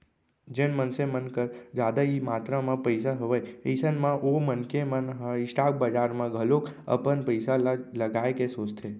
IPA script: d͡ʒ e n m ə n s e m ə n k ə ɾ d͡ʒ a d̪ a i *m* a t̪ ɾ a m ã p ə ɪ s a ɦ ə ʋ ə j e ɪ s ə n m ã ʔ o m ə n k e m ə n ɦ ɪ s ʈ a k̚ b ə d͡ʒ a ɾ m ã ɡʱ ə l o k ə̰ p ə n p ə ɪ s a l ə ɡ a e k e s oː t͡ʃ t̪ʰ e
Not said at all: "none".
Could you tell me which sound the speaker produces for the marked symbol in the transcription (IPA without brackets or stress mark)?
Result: m